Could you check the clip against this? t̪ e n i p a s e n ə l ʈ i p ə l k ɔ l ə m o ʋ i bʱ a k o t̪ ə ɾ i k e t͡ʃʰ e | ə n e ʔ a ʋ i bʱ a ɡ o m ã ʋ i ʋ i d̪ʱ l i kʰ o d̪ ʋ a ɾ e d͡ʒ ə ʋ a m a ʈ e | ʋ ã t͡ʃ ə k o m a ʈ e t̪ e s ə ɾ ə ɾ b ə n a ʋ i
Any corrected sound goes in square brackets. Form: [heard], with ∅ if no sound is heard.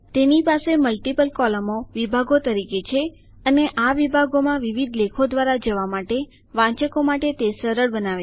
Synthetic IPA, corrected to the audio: t̪ e n i p a s e [m] ə l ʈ i p ə l k ɔ l ə m o ʋ i bʱ a [ɡ] o t̪ ə ɾ i k e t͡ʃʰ e | ə n e ʔ a ʋ i bʱ a ɡ o m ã ʋ i ʋ i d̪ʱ l [e] kʰ o d̪ ʋ a ɾ [a] d͡ʒ ə ʋ a m a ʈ e | ʋ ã t͡ʃ ə k o m a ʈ e t̪ e s ə ɾ ə [ɭ] b ə n a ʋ [e]